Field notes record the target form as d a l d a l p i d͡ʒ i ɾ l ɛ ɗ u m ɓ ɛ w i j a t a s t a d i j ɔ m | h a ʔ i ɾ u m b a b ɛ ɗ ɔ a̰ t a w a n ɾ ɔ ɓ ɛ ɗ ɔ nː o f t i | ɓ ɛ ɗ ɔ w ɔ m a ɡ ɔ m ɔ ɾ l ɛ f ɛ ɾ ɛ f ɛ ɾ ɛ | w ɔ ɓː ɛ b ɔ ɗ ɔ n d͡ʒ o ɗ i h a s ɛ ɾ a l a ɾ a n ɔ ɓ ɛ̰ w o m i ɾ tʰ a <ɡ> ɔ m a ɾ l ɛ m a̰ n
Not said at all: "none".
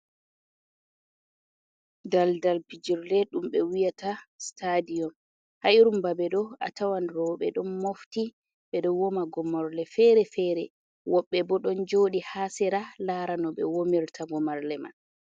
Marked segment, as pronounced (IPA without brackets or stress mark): ɡ